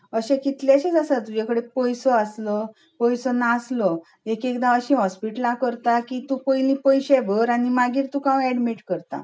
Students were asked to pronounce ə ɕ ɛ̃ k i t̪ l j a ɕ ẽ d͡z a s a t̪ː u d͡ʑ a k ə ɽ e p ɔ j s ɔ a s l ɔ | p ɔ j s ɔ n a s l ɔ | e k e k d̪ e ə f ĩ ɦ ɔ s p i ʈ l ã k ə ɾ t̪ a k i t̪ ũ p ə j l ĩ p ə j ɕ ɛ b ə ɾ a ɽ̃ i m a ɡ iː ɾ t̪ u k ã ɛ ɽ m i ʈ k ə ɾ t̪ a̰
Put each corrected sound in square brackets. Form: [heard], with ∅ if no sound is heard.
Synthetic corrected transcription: ə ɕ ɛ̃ k i t̪ l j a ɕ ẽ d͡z a s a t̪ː u d͡ʑ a k ə ɽ e p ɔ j s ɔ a s l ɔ | p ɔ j s ɔ n a s l ɔ | e k e k d̪ [a] ə [ɕ] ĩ ɦ ɔ s p i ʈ l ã k ə ɾ t̪ a k i t̪ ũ p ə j l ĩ p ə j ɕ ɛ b ə ɾ a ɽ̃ i m a ɡ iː ɾ t̪ u k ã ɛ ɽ m i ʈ k ə ɾ t̪ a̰

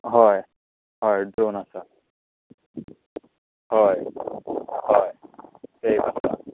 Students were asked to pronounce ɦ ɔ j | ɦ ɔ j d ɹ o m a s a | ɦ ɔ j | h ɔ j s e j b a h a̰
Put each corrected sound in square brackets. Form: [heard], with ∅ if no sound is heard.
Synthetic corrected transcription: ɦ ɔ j | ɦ ɔ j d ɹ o [n] a s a | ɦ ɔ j | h ɔ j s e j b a [s] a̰

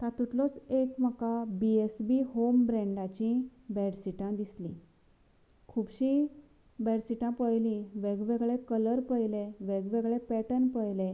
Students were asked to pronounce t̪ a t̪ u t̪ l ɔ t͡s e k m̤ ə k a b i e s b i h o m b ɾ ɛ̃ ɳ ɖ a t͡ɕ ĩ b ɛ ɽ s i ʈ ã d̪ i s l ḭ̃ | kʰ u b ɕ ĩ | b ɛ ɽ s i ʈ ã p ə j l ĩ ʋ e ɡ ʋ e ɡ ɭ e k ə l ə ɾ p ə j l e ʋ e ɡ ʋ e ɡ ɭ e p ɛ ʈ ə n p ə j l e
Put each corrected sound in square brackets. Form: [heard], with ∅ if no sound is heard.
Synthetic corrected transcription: t̪ a t̪ u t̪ l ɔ t͡s e k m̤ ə k a b i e s b i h o m b ɾ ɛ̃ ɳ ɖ a t͡ɕ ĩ b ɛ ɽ s i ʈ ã d̪ i s l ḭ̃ | kʰ u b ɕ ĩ | b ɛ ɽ s i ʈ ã p ə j l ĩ ʋ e ɡ ʋ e ɡ ɭ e k ə l ə ɾ p ə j l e ʋ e ɡ ʋ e ɡ ɭ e p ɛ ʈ ə n p ə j l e

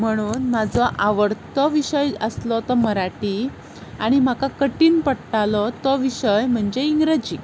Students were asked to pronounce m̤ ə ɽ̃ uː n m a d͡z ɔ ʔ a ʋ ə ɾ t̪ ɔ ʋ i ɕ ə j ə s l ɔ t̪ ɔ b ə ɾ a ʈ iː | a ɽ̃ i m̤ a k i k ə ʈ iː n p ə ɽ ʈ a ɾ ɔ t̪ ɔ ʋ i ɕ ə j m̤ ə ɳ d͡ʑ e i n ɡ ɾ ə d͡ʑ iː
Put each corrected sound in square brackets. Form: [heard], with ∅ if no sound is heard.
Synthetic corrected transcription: m̤ ə ɽ̃ uː n m a d͡z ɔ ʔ a ʋ ə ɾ t̪ ɔ ʋ i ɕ ə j ə s l ɔ t̪ ɔ [m] ə ɾ a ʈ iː | a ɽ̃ i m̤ a k [a] k ə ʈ iː n p ə ɽ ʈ a [l] ɔ t̪ ɔ ʋ i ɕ ə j m̤ ə ɳ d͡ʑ e i [ŋ] ɡ ɾ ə d͡ʑ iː

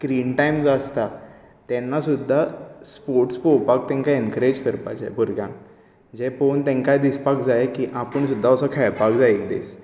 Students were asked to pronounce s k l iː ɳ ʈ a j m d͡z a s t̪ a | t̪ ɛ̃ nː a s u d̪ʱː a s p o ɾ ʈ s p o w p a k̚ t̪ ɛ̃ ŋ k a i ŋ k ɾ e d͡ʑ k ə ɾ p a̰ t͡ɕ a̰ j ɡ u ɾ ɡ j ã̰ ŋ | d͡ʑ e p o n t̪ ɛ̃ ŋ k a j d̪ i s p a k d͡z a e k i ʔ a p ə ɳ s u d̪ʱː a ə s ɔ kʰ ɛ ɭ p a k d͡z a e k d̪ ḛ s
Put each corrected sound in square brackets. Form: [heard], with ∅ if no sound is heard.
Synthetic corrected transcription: s k [ɾ] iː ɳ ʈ a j m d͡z a s t̪ a | t̪ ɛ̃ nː a s u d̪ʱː a s p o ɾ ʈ s p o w p a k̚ t̪ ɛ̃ ŋ k a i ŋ k ɾ e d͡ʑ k ə ɾ p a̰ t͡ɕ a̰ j [b] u ɾ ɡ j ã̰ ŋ | d͡ʑ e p o n t̪ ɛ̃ ŋ k a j d̪ i s p a k d͡z a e k i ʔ a p ə ɳ s u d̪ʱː a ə s ɔ kʰ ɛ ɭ p a k d͡z a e k d̪ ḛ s

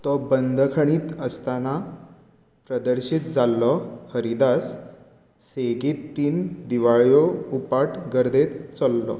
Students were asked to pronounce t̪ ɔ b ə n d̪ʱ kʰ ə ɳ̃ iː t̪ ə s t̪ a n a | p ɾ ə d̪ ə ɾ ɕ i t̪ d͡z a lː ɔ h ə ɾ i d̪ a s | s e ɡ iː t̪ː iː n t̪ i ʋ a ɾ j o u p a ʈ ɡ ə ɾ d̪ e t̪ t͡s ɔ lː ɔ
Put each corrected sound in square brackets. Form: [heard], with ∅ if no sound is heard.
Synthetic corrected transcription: t̪ ɔ b ə n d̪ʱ kʰ ə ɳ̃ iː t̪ ə s t̪ a n a | p ɾ ə d̪ ə ɾ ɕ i t̪ d͡z a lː ɔ h ə ɾ i d̪ a s | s e ɡ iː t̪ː iː n [d̪] i ʋ a [ɭ] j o u p a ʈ ɡ ə ɾ d̪ e t̪ t͡s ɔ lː ɔ

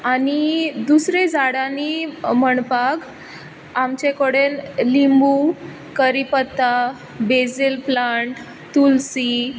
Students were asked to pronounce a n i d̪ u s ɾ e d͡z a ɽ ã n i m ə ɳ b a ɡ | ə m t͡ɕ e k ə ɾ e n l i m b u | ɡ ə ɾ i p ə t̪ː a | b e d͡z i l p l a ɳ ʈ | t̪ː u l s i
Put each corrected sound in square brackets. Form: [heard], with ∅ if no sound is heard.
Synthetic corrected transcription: a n i d̪ u s ɾ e d͡z a ɽ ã n i m ə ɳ [p] a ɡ | [a] m t͡ɕ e k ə [ɽ] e n l i m b u | [k] ə ɾ i p ə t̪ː a | b e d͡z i l p l a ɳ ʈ | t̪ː u l s i

